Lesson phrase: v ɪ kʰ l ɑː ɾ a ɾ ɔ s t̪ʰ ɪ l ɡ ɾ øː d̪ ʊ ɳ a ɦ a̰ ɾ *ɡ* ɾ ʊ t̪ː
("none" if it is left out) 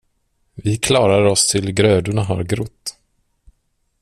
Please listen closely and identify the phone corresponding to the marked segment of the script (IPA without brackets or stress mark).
ɡ